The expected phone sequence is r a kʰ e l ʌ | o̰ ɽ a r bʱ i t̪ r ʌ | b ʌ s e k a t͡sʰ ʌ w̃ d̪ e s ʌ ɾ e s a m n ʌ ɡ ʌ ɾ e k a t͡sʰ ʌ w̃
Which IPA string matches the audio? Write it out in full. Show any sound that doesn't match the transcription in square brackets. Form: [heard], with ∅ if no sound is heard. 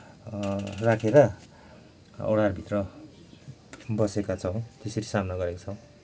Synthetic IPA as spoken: r a kʰ e [ɾ] ʌ | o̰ ɽ a r bʱ i t̪ r ʌ | b ʌ s e k a t͡sʰ ʌ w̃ [t̪] e s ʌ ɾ [i] s a m n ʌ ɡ ʌ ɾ e k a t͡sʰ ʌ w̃